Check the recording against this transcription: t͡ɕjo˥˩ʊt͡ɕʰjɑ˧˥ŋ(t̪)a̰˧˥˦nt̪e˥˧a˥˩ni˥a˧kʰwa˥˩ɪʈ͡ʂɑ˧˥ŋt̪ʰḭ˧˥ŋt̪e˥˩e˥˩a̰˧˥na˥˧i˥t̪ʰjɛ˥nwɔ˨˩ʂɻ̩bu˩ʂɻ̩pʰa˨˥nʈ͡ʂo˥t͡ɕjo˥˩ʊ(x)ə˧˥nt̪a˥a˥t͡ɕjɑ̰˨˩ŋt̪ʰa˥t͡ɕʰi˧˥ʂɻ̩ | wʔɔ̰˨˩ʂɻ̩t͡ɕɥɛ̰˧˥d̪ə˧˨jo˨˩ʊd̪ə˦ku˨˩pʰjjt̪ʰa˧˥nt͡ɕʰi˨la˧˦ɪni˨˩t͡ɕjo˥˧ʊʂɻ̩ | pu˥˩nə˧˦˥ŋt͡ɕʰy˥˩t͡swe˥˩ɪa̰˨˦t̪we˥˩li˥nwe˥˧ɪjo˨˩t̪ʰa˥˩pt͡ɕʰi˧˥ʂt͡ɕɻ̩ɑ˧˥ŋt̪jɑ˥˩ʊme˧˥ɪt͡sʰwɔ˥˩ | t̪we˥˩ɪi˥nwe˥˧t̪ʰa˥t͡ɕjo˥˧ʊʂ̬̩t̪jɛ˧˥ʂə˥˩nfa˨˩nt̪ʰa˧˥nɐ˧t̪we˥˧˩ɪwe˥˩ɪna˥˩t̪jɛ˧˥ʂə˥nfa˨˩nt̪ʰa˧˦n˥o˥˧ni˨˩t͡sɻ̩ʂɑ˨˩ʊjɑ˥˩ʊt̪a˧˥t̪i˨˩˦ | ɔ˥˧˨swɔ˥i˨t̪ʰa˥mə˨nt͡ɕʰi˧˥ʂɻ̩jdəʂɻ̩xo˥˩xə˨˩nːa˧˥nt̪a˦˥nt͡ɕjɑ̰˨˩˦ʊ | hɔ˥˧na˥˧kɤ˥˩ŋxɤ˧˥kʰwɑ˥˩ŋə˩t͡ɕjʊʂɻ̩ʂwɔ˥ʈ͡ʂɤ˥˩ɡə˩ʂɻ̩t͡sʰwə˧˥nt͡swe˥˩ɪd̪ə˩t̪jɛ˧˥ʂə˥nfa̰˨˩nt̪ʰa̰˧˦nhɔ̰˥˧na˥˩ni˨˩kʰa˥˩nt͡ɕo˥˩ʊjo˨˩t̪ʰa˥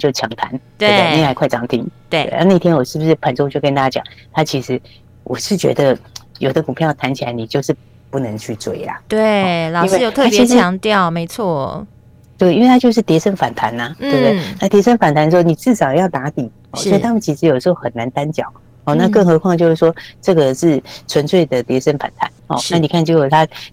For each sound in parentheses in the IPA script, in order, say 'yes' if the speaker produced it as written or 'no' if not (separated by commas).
no, no